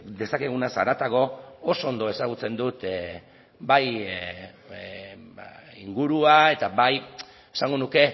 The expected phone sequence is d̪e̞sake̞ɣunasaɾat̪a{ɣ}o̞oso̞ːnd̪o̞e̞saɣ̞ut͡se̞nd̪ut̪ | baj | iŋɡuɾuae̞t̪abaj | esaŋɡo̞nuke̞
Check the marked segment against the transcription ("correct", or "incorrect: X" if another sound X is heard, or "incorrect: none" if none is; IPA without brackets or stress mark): correct